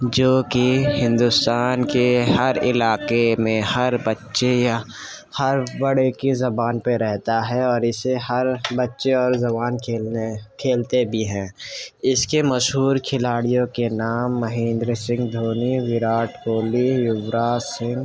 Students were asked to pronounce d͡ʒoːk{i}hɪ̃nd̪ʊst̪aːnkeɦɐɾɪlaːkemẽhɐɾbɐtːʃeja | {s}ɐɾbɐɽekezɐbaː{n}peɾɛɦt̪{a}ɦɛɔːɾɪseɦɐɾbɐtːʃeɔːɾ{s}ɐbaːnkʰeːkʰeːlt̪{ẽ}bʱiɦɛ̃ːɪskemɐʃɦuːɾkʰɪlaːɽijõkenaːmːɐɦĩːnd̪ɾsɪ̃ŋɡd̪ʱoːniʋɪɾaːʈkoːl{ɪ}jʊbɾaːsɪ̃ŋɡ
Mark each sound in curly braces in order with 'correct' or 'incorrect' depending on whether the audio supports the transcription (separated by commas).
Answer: correct, incorrect, correct, correct, incorrect, incorrect, incorrect